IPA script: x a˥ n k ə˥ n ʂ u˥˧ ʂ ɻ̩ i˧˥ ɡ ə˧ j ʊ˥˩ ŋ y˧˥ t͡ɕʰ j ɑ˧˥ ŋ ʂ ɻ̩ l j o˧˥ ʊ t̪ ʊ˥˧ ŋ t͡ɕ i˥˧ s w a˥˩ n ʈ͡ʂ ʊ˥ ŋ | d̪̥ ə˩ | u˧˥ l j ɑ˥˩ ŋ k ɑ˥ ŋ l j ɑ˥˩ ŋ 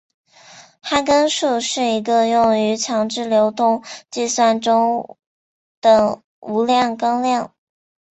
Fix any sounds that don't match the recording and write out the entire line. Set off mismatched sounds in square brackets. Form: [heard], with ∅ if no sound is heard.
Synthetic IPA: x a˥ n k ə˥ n ʂ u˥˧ ʂ ɻ̩ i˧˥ ɡ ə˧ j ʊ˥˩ ŋ y˧˥ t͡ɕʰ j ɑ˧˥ ŋ [ʈ͡ʂ] ɻ̩ l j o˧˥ ʊ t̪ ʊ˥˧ ŋ t͡ɕ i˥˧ s w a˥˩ n ʈ͡ʂ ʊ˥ ŋ | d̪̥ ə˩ | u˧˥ l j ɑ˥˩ ŋ k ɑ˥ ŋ l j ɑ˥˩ ŋ